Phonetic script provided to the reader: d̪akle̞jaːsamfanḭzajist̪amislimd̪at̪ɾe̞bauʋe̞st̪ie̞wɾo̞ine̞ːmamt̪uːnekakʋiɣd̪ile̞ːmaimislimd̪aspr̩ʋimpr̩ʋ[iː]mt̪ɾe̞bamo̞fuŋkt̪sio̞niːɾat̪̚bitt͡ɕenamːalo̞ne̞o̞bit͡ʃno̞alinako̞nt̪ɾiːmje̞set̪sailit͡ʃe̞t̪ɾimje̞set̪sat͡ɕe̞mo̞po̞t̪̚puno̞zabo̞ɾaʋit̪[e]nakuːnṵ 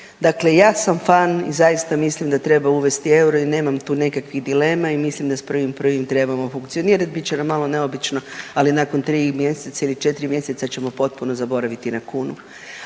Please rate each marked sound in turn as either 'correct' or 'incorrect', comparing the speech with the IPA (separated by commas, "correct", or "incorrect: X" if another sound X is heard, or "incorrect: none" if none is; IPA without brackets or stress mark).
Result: incorrect: i, incorrect: i